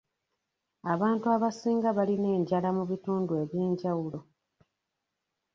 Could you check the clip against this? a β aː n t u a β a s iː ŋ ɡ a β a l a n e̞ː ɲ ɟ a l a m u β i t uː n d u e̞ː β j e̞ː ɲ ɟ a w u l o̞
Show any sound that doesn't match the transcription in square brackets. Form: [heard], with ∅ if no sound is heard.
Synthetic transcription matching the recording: a β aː n t u a β a s iː ŋ ɡ a β a l [i] n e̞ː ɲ ɟ a l a m u β i t uː n d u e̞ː β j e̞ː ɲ ɟ a w u l o̞